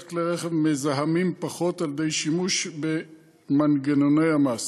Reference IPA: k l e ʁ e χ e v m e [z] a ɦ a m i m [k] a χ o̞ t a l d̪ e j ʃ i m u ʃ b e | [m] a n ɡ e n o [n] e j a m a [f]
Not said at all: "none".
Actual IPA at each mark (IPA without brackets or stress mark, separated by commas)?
z, p, m, n, s